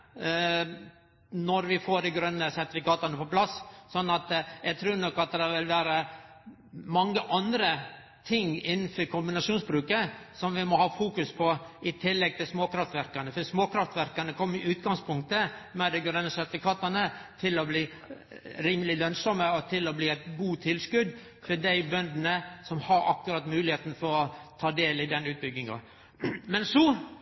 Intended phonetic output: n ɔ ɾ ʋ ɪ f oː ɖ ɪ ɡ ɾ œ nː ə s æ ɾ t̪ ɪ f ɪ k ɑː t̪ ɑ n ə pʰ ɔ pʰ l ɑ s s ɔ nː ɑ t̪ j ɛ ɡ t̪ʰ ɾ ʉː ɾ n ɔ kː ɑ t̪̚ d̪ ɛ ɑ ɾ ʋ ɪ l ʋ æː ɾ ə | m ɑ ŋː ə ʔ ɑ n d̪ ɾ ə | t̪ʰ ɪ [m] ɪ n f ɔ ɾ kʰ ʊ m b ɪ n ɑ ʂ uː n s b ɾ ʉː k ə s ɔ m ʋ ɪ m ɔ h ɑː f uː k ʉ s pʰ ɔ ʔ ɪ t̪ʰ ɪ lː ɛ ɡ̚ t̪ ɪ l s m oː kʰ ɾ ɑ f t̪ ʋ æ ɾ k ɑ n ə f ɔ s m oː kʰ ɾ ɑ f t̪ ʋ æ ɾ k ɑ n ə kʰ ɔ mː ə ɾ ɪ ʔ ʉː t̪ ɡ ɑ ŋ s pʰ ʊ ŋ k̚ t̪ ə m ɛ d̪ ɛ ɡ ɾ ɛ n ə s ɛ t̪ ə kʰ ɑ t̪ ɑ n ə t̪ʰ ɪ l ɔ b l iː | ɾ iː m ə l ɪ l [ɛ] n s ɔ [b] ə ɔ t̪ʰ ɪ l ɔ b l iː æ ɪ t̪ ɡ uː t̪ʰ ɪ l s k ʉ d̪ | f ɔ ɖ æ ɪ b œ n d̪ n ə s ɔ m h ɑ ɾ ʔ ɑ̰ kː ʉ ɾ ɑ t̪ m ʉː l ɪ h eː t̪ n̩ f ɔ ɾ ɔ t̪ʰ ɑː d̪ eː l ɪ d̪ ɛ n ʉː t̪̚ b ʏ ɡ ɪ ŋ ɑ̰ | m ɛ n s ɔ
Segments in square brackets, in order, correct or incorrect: incorrect: ŋ, incorrect: œ, incorrect: m

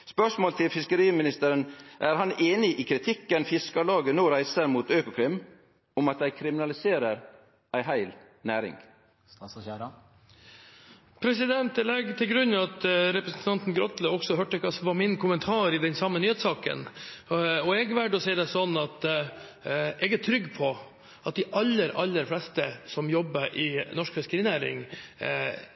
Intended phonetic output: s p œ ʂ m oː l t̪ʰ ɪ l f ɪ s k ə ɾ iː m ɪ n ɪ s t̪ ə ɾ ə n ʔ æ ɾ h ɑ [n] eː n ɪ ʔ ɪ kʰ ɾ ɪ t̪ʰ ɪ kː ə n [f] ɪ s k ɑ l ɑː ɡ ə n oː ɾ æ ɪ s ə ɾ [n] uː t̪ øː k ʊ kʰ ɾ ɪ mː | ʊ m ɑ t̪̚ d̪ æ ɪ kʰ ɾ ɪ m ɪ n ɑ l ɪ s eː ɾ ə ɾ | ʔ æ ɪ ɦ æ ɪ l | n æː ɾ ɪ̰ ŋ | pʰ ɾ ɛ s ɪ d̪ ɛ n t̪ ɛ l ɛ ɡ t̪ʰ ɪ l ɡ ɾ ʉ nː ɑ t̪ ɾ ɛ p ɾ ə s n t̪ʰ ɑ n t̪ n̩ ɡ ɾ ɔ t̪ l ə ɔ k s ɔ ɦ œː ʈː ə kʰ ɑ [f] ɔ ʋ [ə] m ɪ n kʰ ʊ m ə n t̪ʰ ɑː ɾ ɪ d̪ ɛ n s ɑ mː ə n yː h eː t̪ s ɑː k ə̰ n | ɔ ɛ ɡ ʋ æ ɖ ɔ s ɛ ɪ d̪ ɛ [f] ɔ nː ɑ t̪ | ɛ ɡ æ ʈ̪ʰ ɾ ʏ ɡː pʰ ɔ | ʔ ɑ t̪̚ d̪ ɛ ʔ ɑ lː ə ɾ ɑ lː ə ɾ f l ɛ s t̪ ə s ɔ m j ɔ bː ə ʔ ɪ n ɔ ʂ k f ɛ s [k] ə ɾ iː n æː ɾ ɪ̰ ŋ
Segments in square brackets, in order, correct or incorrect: correct, correct, incorrect: m, incorrect: s, incorrect: ɑ, incorrect: s, correct

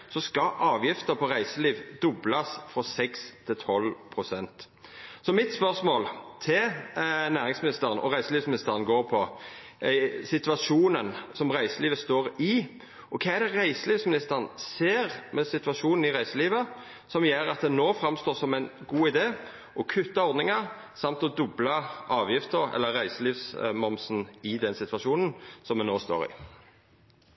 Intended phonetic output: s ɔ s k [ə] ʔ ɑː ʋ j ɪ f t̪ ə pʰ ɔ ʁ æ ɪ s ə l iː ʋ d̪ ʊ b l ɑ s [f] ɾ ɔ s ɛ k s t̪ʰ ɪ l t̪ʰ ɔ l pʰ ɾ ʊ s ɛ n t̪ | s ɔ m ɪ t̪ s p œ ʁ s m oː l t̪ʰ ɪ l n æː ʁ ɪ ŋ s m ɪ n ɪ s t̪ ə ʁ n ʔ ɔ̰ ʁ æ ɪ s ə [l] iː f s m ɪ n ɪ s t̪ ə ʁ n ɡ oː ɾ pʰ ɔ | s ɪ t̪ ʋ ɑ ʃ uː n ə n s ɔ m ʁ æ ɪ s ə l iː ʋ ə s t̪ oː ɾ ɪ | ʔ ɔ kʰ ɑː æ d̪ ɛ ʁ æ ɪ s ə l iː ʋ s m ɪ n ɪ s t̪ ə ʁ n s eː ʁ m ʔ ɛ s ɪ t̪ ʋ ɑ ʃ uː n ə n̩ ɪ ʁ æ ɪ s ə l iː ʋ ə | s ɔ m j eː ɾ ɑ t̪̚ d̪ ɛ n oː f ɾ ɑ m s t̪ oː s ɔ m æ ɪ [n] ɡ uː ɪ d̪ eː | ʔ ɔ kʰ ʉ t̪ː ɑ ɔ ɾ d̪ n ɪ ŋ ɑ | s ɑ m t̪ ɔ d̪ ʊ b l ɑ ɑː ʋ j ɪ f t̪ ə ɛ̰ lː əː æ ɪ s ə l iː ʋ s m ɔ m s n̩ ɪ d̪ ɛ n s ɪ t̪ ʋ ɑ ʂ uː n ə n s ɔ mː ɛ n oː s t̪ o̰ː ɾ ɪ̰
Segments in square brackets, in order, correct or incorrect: incorrect: ɑ, correct, correct, correct

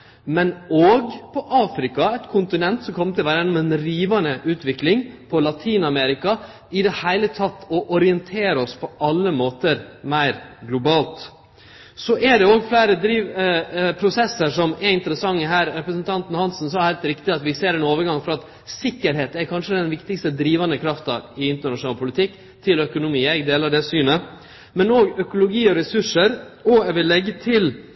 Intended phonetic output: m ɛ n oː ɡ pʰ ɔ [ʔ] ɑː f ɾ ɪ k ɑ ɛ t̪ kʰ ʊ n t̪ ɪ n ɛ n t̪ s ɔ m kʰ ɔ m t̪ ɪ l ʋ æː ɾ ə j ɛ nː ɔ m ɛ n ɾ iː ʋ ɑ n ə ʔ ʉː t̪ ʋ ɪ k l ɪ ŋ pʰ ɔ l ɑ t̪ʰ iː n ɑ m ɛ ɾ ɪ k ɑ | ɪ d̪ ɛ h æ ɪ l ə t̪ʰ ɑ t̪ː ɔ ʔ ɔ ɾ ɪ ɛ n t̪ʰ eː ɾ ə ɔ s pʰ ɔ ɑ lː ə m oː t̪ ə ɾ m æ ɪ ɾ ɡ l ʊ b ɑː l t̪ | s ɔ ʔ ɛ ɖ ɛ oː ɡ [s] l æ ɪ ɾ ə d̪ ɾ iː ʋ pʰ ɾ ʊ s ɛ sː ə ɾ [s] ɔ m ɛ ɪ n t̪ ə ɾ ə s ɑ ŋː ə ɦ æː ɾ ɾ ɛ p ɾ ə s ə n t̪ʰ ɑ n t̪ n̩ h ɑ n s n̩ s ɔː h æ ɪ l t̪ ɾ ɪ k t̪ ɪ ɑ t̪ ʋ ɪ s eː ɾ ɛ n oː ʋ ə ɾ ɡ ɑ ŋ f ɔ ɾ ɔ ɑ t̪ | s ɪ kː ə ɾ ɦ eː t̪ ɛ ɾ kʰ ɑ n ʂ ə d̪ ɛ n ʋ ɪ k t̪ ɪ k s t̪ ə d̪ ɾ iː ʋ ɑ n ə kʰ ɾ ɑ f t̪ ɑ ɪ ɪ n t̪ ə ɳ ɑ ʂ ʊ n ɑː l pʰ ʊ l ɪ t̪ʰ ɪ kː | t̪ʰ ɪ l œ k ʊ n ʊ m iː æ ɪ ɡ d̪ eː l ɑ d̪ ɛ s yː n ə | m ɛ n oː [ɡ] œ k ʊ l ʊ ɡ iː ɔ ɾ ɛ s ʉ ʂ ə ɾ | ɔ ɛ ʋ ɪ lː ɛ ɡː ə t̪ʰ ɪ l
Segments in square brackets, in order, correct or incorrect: correct, incorrect: f, incorrect: ʂ, correct

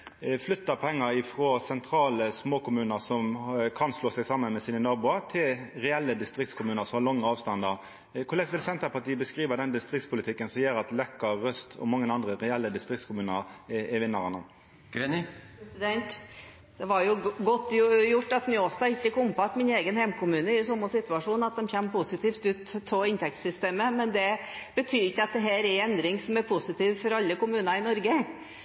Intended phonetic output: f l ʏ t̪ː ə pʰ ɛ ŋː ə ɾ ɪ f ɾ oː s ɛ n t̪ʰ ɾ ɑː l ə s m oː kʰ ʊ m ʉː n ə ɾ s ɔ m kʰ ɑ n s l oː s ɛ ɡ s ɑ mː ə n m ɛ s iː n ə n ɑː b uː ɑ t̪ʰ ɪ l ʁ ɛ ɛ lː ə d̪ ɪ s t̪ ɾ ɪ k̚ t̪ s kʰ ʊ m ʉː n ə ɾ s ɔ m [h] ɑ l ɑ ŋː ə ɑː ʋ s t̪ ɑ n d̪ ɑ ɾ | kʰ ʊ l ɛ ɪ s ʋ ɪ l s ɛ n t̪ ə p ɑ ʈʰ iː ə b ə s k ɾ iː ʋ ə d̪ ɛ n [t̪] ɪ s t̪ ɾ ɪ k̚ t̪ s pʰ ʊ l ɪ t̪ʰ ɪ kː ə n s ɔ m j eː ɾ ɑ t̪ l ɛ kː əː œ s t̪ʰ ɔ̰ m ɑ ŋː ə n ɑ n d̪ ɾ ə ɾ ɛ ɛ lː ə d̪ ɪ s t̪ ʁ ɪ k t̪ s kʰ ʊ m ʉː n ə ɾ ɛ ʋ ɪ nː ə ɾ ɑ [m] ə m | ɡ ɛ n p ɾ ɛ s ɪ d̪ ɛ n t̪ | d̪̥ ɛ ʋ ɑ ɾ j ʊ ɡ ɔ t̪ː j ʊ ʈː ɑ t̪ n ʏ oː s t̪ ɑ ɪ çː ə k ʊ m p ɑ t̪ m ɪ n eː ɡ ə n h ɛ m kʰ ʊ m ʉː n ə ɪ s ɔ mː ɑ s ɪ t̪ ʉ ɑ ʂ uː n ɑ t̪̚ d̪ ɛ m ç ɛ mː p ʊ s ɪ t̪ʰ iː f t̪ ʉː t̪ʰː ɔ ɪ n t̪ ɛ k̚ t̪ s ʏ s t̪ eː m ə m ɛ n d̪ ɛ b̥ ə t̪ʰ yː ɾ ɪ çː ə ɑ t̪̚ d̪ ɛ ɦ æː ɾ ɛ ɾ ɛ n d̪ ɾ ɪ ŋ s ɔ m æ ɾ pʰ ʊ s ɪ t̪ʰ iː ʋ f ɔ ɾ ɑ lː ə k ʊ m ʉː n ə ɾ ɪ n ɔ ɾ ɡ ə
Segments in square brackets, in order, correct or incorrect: correct, incorrect: d̪, incorrect: n

